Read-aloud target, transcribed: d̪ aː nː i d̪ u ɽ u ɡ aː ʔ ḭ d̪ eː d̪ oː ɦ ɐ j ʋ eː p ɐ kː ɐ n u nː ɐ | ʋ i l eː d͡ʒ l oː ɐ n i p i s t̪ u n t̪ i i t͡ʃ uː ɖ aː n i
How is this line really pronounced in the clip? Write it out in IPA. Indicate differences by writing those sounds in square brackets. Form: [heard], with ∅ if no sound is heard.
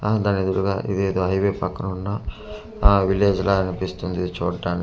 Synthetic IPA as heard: d̪ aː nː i d̪ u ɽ u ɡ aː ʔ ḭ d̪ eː d̪ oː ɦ ɐ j ʋ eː p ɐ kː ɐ n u nː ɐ | ʋ i l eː d͡ʒ l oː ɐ n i p i s t̪ u n [d̪] i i t͡ʃ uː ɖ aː n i